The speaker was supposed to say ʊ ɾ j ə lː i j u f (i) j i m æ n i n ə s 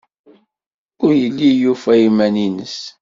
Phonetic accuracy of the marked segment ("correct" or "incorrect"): incorrect